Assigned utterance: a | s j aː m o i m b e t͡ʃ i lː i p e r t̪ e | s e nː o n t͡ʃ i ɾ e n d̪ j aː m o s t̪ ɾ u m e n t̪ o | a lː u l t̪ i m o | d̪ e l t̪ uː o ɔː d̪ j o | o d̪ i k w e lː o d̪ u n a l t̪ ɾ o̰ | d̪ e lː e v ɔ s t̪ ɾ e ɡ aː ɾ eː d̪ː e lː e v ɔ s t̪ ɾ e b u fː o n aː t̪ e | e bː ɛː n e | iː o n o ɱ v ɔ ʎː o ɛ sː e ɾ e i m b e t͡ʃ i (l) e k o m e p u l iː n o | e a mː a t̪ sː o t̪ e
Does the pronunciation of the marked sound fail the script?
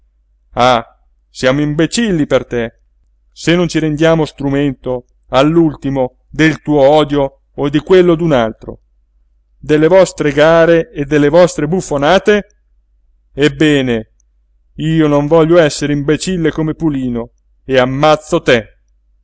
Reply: yes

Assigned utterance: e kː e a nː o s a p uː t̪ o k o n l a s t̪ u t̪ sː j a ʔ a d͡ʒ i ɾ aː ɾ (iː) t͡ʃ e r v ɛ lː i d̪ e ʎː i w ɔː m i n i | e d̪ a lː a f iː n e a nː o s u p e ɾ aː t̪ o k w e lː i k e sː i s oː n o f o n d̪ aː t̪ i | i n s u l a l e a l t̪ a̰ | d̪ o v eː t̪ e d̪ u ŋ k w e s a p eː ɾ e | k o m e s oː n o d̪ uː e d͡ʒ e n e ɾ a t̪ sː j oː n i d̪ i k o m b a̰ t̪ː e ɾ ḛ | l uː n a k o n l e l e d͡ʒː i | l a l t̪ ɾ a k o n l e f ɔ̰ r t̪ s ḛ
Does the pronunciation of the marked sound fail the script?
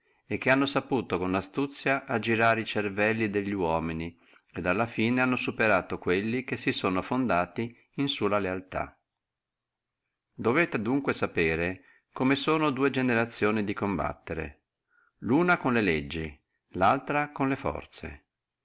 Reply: yes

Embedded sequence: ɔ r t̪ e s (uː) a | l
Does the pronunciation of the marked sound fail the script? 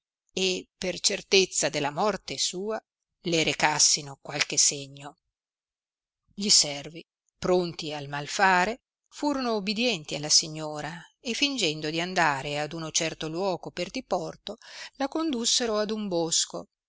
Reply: no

